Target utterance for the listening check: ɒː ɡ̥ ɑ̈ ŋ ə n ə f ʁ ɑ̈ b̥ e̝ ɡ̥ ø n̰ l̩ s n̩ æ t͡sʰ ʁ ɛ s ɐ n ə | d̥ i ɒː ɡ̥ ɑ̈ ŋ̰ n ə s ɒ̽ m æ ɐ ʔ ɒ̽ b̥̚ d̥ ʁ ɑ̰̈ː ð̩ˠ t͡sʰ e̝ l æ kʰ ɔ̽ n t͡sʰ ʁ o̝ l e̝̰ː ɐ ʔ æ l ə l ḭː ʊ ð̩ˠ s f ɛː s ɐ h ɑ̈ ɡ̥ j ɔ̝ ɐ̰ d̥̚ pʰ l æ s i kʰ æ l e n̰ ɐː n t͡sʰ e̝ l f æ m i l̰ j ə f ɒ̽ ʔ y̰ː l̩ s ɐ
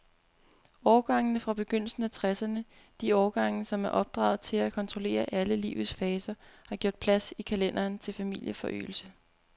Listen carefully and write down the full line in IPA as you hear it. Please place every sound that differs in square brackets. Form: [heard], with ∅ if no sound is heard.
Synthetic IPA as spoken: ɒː ɡ̥ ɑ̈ ŋ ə n ə f ʁ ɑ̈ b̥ e̝ ɡ̥ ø n̰ l̩ s n̩ æ t͡sʰ ʁ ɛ s ɐ n ə | d̥ i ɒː ɡ̥ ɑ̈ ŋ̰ n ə s ɒ̽ m æ ɐ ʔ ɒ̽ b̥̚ d̥ ʁ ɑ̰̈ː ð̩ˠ t͡sʰ e̝ l æ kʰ [ɒ̽] n t͡sʰ ʁ o̝ l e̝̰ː ɐ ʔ æ l ə l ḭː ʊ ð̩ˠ s f ɛː s ɐ h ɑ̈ ɡ̥ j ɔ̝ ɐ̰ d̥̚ pʰ l æ s i kʰ æ l e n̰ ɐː n t͡sʰ e̝ l f æ m i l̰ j ə f ɒ̽ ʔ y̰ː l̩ s [ə]